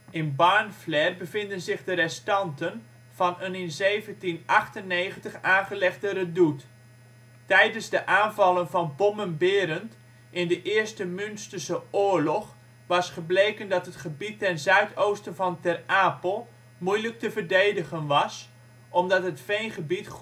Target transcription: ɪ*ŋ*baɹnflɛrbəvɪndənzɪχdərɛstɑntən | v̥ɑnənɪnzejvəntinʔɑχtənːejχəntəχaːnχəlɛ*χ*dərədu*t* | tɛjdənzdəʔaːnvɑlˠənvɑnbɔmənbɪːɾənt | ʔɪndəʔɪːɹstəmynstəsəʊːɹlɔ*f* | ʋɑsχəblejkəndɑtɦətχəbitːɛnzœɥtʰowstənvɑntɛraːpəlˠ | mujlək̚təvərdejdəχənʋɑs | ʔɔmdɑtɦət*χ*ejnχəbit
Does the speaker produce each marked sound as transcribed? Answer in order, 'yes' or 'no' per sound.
no, yes, yes, no, no

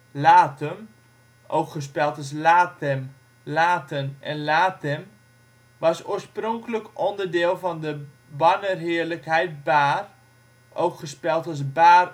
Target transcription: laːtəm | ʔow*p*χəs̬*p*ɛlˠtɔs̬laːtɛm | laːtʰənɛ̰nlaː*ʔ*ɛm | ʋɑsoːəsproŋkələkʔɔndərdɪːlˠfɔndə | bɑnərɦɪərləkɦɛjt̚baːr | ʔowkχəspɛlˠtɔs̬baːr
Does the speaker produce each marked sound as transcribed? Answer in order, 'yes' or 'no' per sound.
no, yes, no

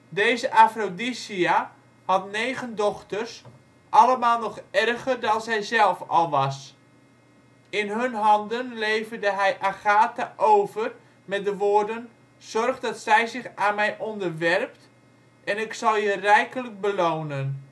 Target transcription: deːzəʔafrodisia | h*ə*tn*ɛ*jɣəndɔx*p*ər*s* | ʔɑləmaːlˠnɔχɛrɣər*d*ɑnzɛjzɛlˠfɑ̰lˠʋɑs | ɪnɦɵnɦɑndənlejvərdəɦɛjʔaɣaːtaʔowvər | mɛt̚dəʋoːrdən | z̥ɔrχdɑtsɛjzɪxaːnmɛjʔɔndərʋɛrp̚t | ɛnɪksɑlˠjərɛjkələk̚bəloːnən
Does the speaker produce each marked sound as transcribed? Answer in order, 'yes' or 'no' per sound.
no, no, no, yes, yes

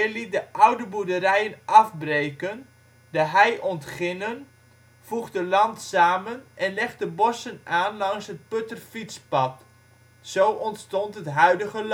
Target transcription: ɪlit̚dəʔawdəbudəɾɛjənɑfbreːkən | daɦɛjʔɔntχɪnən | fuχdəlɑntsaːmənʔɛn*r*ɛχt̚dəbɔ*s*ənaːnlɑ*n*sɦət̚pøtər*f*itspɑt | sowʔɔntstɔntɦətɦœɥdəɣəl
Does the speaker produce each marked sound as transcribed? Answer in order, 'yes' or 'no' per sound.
no, yes, no, yes

